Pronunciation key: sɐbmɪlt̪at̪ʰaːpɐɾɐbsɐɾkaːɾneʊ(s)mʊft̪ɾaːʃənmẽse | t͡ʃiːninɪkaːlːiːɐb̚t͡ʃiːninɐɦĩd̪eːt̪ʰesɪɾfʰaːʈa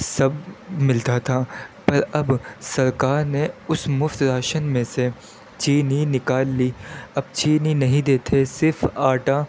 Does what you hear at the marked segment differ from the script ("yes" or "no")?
no